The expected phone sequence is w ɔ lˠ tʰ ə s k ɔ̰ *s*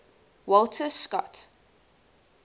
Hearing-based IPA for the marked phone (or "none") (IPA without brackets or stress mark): t